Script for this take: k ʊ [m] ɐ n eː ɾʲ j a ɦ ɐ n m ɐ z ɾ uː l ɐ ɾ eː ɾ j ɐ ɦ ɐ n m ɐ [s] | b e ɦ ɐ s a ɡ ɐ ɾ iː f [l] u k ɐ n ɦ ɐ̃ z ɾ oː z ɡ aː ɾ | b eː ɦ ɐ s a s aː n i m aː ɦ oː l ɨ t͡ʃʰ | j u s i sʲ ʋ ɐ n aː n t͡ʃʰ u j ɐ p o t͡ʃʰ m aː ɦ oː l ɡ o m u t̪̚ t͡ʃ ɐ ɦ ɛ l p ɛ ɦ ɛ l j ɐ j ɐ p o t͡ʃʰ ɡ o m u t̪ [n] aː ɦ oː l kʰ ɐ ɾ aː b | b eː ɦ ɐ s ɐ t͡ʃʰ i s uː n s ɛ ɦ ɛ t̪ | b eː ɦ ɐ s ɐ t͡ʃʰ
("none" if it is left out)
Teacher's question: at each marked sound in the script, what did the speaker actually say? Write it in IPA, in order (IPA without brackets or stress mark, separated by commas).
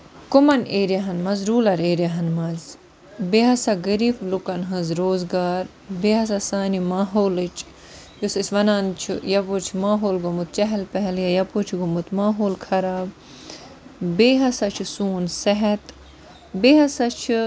m, z, l, m